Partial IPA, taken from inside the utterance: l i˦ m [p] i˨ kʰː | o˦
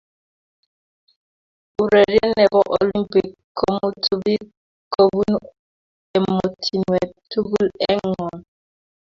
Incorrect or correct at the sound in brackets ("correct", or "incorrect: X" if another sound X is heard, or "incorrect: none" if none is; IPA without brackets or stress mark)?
correct